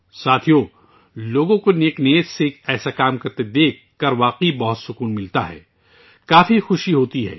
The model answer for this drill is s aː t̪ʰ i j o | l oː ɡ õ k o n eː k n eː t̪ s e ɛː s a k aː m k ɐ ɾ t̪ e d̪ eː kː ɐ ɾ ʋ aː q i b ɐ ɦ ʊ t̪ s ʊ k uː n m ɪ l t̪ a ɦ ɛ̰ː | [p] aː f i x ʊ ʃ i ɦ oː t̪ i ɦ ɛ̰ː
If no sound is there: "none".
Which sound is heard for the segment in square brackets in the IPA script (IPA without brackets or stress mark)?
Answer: k